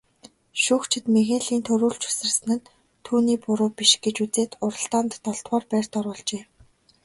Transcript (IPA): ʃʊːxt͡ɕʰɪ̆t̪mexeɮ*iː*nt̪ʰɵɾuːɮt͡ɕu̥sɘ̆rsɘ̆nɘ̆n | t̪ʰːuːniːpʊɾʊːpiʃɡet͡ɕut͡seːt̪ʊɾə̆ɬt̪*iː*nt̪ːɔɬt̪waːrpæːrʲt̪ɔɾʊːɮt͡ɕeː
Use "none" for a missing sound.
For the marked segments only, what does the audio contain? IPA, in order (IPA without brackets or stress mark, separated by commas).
iː, aː